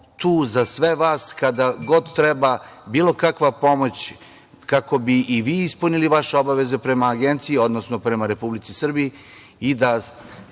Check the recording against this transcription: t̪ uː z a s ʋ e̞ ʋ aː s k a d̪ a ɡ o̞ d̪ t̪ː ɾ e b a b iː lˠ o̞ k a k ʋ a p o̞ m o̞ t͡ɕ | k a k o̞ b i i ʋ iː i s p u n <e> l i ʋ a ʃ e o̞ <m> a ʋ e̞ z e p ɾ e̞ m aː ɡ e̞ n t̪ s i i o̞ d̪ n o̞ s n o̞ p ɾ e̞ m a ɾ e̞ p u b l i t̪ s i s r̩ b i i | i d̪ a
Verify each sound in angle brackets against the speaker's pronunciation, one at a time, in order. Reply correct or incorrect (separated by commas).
incorrect, incorrect